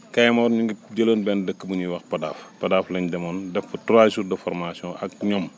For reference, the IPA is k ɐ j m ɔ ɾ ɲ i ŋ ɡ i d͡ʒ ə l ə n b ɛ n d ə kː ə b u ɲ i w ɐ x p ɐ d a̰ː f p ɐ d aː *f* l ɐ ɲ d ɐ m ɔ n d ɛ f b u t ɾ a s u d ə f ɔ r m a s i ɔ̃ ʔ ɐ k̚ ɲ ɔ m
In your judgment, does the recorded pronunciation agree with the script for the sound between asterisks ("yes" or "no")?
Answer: yes